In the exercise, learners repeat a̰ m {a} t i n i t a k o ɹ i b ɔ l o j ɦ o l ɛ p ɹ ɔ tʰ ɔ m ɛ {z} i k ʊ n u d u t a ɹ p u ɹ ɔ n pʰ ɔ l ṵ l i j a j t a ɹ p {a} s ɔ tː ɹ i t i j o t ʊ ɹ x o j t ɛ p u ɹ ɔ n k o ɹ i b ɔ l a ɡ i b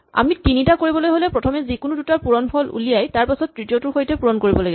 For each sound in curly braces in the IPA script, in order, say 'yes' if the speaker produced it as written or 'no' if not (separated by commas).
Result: no, yes, yes